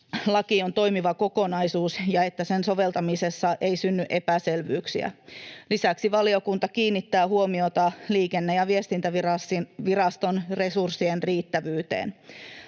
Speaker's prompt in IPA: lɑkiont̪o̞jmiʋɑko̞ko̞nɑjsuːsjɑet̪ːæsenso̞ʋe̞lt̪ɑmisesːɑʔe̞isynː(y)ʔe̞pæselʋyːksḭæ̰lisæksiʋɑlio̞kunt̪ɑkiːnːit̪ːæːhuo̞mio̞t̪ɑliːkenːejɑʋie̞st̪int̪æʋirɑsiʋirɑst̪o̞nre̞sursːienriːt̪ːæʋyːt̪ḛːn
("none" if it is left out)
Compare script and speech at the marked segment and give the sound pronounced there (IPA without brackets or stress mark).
y